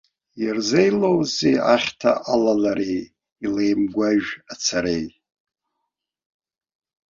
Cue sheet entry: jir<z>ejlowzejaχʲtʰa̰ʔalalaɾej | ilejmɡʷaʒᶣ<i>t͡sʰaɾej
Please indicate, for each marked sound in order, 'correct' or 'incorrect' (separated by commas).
correct, incorrect